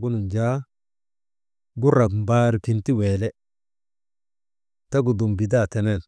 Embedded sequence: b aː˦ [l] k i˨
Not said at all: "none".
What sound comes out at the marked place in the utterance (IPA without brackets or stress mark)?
ɾ